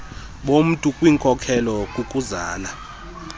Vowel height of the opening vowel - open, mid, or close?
mid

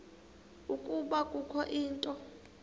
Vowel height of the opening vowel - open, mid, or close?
close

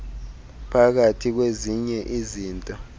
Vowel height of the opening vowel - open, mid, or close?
open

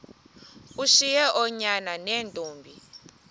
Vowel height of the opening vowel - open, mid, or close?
close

